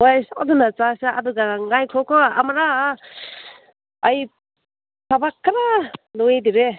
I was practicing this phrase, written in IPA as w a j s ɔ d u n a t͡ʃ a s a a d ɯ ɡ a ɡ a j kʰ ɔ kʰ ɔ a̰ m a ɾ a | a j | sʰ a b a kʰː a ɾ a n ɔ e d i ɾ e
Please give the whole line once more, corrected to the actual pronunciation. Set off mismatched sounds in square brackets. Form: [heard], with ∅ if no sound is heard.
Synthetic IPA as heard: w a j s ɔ d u n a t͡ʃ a s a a d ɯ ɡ a [ŋ] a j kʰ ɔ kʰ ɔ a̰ m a ɾ a | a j | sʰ a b a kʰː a ɾ a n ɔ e d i ɾ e